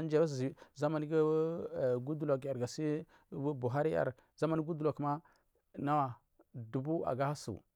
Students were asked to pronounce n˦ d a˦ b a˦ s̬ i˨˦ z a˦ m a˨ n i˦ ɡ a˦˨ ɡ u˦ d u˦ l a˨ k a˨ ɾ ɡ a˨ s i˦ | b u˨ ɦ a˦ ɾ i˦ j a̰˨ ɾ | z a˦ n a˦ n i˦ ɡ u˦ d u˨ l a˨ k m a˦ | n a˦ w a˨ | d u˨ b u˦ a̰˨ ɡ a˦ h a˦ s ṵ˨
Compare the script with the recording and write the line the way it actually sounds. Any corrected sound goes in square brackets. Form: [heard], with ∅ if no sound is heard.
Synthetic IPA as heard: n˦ [d͡ʒ] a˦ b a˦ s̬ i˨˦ z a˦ m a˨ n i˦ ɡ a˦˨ ɡ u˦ d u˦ l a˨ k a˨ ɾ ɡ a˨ s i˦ | b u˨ ɦ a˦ ɾ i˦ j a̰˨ ɾ | z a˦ [m] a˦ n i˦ ɡ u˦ d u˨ l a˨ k m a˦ | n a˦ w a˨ | d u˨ b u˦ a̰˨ ɡ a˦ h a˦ s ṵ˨